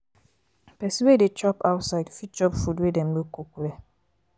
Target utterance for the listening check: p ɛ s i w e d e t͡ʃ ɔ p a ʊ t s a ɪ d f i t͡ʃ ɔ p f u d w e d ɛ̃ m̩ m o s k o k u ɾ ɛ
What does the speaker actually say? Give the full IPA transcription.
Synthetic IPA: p ɛ s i w e d e t͡ʃ ɔ p a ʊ t s a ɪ d f i t͡ʃ ɔ p f u d w e d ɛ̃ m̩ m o k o k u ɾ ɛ